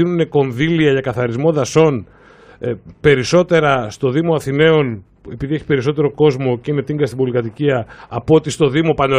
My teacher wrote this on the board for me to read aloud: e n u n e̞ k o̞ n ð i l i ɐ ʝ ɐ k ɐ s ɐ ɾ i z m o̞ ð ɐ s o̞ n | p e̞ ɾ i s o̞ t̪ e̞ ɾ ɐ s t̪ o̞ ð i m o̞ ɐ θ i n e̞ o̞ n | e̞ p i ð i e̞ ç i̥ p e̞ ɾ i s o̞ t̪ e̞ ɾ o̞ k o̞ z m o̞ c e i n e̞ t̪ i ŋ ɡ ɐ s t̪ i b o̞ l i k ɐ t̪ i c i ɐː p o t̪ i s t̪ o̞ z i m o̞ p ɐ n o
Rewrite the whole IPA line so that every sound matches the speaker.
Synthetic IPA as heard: i n u n e̞ k o̞ n ð i l i ɐ ʝ ɐ k ɐ θ ɐ ɾ i z m o̞ ð ɐ s o̞ n | p e̞ ɾ i s o̞ t̪ e̞ ɾ ɐ s t̪ o̞ ð i m o̞ ɐ θ i n e̞ o̞ n | e̞ p i ð i e̞ ç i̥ p e̞ ɾ i s o̞ t̪ e̞ ɾ o̞ k o̞ z m o̞ c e i n e̞ t̪ i ŋ ɡ ɐ s t̪ i b o̞ l i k ɐ t̪ i c i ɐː p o t̪ i s t̪ o̞ ð i m o̞ p ɐ n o